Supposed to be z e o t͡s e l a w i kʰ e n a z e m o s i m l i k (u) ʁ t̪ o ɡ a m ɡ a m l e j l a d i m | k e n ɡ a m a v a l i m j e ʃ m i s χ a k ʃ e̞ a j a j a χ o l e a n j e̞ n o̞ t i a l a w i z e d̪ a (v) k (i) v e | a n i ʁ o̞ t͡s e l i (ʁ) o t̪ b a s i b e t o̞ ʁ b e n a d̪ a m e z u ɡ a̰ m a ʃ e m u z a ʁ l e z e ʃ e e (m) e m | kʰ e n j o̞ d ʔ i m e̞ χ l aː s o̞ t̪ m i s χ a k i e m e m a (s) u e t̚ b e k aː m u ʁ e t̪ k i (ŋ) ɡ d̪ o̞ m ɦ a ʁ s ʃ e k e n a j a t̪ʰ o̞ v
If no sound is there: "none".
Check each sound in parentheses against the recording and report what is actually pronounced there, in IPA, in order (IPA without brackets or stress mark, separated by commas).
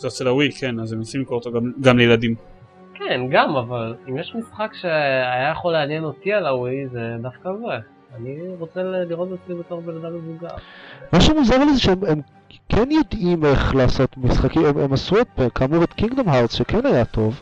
o, f, a, ʁ, m, s, ŋ